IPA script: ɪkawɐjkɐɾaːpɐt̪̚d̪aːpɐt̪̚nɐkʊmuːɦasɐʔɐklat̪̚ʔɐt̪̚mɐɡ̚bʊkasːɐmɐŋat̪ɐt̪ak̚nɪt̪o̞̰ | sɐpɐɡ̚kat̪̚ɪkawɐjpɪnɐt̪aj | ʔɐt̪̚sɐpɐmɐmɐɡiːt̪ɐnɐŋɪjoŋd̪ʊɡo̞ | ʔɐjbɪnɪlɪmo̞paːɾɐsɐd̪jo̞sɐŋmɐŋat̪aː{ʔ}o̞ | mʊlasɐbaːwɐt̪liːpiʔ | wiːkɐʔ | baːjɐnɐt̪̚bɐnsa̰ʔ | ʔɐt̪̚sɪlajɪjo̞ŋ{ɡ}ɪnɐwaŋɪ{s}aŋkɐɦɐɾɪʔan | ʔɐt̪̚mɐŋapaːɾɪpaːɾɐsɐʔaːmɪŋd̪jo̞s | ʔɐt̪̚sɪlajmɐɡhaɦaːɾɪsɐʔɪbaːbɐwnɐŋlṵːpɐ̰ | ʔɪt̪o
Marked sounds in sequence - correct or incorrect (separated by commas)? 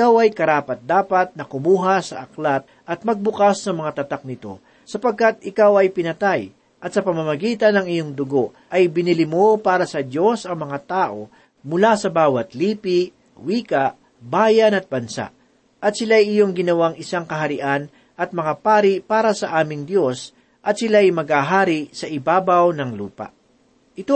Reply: correct, correct, correct